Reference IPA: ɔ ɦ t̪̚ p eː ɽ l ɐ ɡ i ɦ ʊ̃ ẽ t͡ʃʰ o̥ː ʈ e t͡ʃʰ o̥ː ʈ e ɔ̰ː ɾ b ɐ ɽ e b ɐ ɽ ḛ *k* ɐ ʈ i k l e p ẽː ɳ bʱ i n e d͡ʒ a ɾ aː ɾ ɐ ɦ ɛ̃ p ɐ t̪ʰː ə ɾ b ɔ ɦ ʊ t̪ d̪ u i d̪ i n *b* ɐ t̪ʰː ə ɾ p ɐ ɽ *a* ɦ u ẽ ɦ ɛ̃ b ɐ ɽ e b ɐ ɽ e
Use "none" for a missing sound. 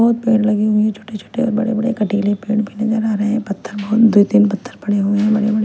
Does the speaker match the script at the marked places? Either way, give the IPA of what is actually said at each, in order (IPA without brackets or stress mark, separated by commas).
k, p, e